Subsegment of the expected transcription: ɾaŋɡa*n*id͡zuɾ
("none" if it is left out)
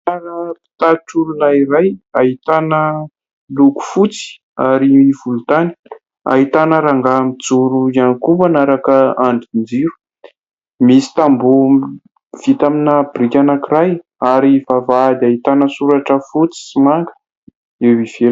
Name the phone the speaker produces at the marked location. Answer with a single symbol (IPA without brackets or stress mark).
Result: m